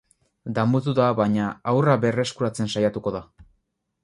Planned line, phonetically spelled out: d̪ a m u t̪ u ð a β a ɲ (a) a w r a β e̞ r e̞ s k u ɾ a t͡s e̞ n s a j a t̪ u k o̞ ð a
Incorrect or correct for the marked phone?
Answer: correct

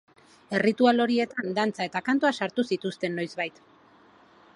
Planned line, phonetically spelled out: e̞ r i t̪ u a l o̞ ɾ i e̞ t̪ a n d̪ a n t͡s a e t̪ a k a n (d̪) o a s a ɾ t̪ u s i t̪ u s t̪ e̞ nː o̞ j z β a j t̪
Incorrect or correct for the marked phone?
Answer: incorrect: t̪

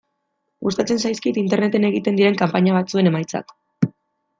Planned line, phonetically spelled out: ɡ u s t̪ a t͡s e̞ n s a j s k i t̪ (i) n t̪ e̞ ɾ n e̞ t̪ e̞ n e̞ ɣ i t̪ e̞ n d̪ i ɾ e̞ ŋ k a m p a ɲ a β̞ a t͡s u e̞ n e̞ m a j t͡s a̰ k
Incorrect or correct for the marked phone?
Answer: correct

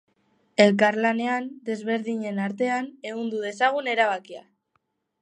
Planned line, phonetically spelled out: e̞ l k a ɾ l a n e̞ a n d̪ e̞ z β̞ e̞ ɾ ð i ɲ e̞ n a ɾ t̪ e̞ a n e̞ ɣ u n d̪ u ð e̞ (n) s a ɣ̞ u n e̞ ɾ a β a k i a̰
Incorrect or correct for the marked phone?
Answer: incorrect: none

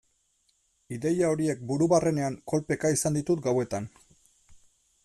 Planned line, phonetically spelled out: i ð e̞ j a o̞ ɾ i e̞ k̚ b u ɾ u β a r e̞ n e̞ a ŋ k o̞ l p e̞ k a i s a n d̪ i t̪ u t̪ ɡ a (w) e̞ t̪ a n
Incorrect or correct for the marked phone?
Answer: correct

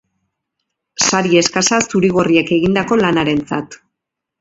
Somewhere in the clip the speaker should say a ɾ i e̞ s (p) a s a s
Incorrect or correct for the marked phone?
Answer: incorrect: k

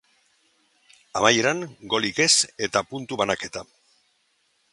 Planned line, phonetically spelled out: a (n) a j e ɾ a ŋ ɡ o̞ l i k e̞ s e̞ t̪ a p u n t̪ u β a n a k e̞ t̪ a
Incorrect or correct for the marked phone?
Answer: incorrect: m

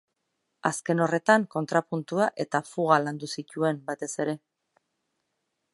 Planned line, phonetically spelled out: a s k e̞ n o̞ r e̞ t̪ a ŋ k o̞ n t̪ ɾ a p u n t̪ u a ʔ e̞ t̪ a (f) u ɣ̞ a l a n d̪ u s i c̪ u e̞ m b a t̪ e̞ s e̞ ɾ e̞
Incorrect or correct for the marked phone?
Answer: correct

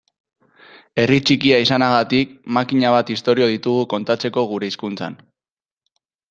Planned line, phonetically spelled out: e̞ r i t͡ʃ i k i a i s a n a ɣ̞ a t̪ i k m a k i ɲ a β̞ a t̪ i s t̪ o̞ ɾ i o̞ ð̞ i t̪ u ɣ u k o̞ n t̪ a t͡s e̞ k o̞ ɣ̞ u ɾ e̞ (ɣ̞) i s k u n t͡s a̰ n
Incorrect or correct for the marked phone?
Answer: incorrect: none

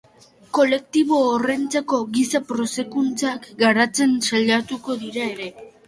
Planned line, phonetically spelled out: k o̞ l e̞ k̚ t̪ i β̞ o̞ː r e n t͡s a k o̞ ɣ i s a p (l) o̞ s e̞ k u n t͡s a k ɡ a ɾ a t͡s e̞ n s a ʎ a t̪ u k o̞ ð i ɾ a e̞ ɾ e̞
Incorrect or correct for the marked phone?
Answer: incorrect: ɾ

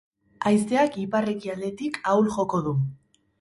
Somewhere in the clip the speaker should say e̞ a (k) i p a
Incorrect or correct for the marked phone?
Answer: correct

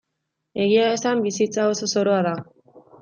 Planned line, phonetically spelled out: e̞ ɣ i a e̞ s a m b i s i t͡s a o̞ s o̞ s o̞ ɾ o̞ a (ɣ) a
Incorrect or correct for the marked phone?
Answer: incorrect: ð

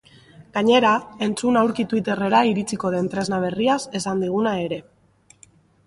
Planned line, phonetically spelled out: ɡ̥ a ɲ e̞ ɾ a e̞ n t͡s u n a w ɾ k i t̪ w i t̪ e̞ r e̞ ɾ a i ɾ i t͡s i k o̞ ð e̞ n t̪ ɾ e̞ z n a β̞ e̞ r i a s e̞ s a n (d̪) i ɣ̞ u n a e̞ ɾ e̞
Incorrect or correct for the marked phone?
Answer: correct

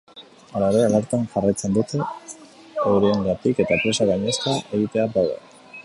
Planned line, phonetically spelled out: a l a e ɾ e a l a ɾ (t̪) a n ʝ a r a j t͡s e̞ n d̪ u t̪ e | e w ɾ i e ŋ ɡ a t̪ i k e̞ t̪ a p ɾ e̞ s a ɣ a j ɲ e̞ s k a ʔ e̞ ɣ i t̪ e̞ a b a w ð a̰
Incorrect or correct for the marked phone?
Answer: correct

